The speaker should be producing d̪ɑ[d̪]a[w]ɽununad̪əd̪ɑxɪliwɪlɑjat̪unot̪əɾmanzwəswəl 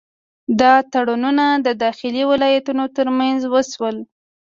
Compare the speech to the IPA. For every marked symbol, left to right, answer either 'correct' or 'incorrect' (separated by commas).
incorrect, incorrect